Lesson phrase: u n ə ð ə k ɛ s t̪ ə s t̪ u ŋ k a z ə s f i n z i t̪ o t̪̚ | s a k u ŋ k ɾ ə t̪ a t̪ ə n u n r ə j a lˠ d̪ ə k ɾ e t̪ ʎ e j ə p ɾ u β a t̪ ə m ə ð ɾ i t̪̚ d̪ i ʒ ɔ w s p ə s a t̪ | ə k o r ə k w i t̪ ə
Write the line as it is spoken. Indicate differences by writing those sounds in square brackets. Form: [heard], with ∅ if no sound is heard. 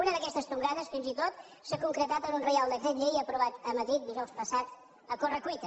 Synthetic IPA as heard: u n ə ð ə k ɛ s t̪ ə s t̪ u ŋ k a [ð] ə s f i n z i t̪ o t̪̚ | s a k u ŋ k ɾ ə t̪ a t̪ ə n u n r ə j a lˠ d̪ ə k ɾ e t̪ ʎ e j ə p ɾ u β a t̪ ə m ə ð ɾ i t̪̚ d̪ i ʒ ɔ w s p ə s a t̪ | ə k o r ə k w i t̪ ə